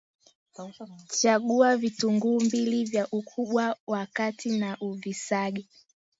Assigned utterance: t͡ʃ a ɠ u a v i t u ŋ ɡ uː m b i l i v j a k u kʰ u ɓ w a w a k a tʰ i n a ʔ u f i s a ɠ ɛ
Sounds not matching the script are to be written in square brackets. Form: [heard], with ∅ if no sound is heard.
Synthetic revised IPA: t͡ʃ a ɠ u a v i t u ŋ ɡ uː m b i l i v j a [ʔ] u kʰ u ɓ w a w a k a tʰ i n a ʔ u [v] i s a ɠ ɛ